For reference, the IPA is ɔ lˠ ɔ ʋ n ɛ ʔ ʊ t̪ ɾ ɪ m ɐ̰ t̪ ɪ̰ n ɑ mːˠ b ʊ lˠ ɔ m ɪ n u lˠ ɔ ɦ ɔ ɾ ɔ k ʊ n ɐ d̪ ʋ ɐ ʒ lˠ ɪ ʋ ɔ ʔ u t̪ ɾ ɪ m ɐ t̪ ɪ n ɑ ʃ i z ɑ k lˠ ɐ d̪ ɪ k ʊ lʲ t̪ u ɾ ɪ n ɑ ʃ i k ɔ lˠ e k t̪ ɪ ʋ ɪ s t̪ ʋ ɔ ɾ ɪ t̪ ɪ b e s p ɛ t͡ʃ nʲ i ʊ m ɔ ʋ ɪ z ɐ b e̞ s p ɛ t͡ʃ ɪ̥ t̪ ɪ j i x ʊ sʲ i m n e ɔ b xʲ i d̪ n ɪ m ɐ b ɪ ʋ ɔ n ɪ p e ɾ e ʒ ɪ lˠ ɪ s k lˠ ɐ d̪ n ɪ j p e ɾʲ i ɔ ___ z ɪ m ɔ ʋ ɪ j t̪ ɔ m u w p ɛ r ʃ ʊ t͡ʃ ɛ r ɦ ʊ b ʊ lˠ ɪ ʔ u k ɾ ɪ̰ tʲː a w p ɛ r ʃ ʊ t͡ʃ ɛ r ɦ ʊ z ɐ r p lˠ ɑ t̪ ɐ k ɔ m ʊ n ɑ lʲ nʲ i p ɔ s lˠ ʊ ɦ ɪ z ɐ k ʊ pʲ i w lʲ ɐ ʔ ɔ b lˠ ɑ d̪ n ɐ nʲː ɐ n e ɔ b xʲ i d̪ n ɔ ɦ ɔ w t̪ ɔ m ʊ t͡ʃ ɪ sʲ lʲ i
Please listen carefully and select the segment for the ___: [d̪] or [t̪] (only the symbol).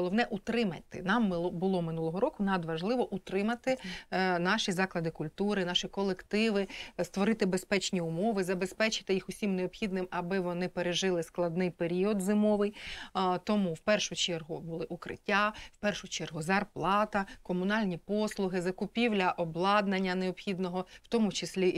d̪